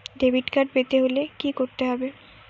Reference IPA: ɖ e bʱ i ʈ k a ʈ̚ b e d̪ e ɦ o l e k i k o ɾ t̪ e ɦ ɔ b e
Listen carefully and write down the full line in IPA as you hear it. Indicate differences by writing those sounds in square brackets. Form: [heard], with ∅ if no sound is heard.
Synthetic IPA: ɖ e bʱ i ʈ k a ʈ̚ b e [t̪] e ɦ o l e k i k o ɾ t̪ e ɦ ɔ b e